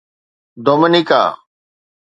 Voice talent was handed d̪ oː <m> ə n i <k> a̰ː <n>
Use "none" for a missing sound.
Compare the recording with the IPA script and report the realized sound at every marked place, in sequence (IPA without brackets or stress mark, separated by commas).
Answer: m, k, none